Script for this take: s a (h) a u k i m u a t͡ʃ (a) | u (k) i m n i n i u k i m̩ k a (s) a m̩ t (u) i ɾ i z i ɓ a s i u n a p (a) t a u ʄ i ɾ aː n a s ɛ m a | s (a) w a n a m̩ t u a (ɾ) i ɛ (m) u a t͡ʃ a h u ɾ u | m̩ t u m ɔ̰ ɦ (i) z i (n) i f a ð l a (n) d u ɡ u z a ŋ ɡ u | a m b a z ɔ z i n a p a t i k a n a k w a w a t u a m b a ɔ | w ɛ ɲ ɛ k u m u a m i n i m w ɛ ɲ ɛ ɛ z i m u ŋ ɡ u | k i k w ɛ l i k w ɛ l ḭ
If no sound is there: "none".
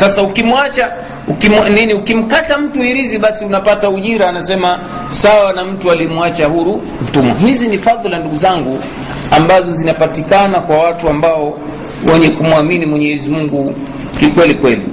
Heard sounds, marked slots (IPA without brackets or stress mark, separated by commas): s, a, k, t, u, a, a, l, m, i, n, n